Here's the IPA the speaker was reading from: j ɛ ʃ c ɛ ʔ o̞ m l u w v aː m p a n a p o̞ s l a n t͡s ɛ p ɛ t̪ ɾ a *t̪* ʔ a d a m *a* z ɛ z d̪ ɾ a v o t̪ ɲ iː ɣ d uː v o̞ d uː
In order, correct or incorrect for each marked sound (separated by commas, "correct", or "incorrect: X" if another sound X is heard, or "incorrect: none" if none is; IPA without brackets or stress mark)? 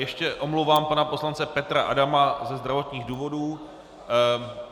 incorrect: none, correct